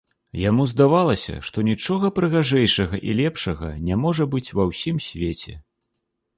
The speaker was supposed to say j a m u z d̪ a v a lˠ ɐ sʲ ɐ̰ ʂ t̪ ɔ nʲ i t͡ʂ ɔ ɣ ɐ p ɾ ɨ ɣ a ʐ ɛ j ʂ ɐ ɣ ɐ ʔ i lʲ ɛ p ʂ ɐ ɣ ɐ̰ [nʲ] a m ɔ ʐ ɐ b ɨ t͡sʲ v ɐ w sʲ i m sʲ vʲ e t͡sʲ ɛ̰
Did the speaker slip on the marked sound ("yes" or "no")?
no